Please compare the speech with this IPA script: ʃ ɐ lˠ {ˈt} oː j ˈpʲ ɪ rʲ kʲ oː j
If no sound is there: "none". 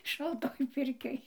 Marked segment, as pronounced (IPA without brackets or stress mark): t